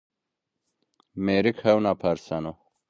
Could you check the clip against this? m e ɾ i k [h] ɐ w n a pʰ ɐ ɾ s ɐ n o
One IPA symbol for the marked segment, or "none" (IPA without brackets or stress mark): h